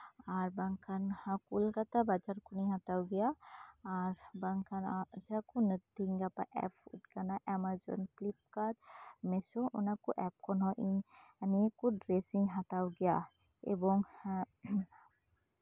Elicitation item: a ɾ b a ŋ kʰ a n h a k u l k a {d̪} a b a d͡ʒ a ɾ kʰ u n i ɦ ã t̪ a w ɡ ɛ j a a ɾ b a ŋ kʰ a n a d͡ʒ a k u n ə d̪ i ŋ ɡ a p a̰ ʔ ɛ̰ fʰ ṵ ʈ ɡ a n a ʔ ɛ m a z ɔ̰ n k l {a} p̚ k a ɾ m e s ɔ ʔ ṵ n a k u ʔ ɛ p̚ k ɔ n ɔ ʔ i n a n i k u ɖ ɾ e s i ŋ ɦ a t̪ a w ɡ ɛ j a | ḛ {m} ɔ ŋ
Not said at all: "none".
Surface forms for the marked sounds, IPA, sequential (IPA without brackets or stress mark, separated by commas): t̪, i, b